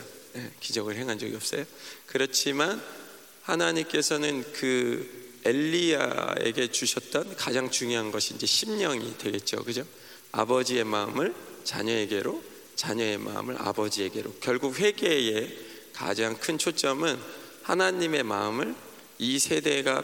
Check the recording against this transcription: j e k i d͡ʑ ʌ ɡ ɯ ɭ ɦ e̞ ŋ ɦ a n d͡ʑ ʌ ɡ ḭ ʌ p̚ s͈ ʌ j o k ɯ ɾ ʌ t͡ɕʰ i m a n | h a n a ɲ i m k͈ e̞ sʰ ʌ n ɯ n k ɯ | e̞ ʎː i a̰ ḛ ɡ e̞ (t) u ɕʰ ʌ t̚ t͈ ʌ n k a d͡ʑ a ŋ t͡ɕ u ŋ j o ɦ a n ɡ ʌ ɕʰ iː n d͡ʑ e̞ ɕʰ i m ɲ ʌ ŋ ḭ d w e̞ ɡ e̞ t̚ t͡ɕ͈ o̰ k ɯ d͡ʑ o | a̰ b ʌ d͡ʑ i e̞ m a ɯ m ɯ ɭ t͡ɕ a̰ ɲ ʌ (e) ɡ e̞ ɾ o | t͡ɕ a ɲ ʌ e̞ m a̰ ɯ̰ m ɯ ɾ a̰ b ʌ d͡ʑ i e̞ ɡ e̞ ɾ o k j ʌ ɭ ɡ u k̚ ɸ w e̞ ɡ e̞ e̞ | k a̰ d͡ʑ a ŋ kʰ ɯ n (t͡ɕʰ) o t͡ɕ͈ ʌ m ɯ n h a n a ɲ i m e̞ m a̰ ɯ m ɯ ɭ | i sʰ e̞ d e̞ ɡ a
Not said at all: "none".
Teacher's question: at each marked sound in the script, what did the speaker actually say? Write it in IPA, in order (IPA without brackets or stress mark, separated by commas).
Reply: t͡ɕ, e, t͡ɕʰ